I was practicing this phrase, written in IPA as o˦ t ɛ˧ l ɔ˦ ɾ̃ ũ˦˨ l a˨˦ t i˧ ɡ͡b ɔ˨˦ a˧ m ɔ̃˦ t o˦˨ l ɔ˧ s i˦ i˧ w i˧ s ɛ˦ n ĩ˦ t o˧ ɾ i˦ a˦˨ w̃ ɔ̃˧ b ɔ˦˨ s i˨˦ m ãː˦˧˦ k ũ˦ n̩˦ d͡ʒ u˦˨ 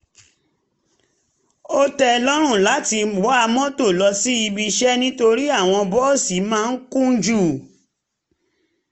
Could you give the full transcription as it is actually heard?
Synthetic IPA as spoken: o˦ t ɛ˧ l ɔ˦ ɾ̃ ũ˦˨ l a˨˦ t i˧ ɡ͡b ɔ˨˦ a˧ m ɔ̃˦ t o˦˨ l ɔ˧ s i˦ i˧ b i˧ ʃ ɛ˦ n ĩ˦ t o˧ ɾ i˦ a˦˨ w̃ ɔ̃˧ b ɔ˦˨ s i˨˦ m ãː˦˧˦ k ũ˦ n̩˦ d͡ʒ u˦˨